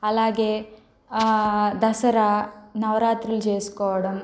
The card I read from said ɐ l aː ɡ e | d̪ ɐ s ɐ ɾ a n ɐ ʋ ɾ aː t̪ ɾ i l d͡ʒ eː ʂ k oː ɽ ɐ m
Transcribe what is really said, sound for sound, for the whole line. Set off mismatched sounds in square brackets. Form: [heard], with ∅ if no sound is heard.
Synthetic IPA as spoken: ɐ l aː ɡ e | d̪ ɐ s ɐ ɾ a n ɐ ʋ ɾ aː t̪ ɾ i l d͡ʒ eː [s] k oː ɽ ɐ m